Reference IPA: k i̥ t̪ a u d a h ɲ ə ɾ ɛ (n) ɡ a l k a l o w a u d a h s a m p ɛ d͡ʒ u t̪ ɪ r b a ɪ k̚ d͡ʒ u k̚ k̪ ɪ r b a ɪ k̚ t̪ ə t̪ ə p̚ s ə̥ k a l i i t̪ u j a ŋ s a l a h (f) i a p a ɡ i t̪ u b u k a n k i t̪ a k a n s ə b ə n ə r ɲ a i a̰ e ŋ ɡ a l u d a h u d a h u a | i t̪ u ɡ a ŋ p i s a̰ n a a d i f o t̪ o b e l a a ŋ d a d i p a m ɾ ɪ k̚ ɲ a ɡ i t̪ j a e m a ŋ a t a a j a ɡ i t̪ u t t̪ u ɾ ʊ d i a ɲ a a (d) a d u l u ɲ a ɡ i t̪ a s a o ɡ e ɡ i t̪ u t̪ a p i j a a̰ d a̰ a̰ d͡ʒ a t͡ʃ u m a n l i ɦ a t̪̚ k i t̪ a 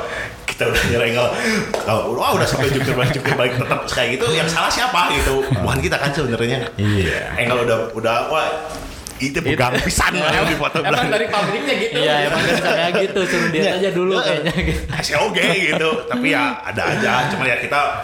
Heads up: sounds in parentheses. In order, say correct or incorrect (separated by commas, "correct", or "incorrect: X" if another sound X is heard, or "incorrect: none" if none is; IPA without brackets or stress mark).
incorrect: ŋ, incorrect: s, incorrect: d͡ʒ